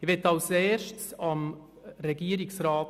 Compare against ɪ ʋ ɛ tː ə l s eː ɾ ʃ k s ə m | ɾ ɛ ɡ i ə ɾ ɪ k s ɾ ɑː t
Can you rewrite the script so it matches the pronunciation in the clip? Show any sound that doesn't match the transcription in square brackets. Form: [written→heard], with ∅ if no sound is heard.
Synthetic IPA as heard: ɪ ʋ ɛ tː [ə→ɑ] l s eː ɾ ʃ [k→t] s [ə→ɑ] m | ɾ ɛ ɡ i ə ɾ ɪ k s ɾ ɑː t

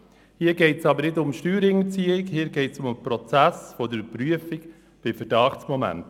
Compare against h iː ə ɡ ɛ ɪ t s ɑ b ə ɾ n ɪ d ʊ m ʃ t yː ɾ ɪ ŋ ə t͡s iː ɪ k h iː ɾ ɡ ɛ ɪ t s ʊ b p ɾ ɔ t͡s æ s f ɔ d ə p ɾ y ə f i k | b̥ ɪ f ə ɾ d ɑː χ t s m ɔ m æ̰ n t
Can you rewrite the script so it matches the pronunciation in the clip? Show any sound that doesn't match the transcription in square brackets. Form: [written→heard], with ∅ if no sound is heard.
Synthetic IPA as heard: h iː ə ɡ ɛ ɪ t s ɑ b ə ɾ n ɪ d ʊ m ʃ t yː ɾ ɪ ŋ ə t͡s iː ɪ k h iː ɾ ɡ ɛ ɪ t s ʊ [b→m] p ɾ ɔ t͡s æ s f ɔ d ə p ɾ y ə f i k | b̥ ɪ f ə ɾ d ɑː χ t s m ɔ m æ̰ n t

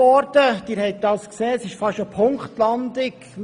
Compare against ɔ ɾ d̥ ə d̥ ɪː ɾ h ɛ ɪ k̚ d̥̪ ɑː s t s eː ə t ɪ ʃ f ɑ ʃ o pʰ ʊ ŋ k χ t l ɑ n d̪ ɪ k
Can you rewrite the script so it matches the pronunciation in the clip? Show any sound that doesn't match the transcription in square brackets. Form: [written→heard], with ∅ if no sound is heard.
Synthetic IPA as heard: ɔ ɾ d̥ ə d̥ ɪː ɾ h ɛ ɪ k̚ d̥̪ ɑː s [t→k] s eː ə [t→s] ɪ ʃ f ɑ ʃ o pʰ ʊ ŋ k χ t l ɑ n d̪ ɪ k

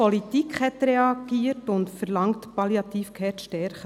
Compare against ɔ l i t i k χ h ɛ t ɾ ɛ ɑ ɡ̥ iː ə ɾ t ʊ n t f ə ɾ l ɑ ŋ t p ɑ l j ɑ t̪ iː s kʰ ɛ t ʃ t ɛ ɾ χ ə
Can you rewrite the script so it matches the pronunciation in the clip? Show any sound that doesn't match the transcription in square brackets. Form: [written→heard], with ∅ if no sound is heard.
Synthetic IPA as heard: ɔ l i t i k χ h ɛ t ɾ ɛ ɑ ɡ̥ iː ə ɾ t ʊ n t f ə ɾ l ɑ ŋ t p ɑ l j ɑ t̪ iː [s→f] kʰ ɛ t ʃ t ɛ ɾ χ ə

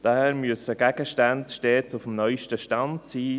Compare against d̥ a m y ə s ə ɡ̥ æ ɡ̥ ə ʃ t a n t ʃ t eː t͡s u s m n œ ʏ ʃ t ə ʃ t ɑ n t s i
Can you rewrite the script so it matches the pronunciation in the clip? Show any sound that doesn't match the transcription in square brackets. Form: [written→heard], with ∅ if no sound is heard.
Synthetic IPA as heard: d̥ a m y ə s ə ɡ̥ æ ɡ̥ ə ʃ t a n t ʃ t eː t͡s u [s→f] m n œ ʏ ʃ t ə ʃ t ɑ n t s [i→iː]

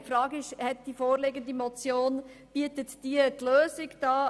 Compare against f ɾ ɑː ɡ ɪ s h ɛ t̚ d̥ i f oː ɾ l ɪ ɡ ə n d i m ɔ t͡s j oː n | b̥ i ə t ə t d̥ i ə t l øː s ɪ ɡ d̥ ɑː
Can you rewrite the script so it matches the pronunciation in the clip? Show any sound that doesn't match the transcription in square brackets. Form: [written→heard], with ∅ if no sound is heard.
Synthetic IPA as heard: f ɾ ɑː ɡ ɪ [s→ʃ] h ɛ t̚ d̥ i f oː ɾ l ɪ ɡ ə n d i m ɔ t͡s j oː n | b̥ i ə t ə t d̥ i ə t l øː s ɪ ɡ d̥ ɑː

